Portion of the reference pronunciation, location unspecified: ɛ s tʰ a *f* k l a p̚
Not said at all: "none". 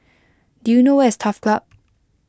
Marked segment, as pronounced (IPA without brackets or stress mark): f